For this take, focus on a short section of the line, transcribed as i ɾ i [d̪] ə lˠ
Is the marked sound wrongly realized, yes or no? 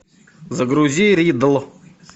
no